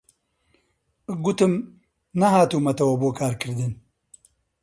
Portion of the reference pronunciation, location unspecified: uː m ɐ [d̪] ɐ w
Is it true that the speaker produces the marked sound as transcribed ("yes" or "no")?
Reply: no